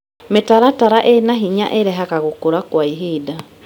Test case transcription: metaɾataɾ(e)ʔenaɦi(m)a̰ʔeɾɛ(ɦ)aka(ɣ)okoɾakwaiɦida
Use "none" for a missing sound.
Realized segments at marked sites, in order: a, ɲ, ɦ, ɣ

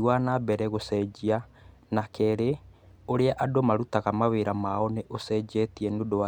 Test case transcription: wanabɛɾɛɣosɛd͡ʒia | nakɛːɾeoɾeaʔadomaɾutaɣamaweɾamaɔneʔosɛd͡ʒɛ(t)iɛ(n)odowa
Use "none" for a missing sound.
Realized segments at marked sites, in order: t, n

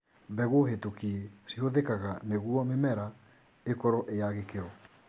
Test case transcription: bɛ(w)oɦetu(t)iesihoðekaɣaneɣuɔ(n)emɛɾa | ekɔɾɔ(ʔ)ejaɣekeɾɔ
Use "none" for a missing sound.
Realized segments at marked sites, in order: ɣ, k, m, ʔ

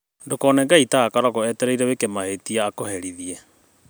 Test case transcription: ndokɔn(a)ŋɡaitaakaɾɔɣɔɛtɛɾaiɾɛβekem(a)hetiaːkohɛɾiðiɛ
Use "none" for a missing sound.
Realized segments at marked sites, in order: ɛ, a

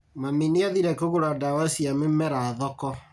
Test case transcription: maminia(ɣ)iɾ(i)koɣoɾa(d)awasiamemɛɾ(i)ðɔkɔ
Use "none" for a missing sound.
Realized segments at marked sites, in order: ð, ɛ, d, a

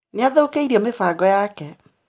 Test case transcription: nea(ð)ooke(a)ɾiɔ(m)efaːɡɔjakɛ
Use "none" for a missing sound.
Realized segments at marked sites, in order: ð, i, m

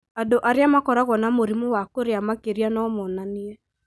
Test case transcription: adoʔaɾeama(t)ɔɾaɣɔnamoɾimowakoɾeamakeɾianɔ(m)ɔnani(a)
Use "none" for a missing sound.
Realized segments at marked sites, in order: k, m, ɛ

